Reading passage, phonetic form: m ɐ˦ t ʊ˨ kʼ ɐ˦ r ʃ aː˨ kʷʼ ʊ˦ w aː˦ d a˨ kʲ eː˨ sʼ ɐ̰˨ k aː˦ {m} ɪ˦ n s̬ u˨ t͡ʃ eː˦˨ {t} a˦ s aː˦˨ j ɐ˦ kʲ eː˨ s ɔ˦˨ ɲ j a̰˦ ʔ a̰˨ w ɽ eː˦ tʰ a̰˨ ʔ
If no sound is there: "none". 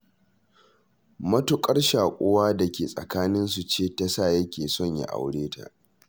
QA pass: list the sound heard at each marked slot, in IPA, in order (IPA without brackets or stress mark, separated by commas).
n, t